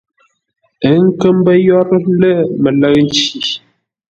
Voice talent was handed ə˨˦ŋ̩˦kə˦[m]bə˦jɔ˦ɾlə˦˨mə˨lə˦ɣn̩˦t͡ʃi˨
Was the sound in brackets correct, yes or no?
yes